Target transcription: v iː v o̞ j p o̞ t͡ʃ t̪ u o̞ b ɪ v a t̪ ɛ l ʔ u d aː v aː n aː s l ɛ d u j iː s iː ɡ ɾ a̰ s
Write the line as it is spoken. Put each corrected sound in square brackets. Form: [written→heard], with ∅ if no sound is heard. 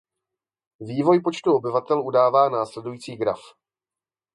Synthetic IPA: v iː v o̞ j p o̞ t͡ʃ t̪ u o̞ b ɪ v a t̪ ɛ l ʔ u d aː v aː n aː s l ɛ d u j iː [s→t͡s] iː ɡ ɾ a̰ [s→f]